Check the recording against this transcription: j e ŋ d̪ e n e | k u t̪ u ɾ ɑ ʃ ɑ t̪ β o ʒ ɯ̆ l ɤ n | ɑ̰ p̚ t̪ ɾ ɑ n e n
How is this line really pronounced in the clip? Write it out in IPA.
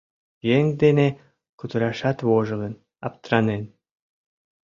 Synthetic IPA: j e ŋ d̪ e n e | k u t̪ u ɾ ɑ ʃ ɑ t̪ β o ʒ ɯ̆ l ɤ n | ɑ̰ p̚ t̪ ɾ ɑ n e n